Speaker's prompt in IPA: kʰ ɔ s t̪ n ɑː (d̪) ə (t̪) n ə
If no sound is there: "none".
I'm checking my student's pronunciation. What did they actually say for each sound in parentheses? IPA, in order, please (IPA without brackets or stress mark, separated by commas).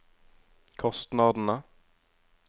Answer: d̪, none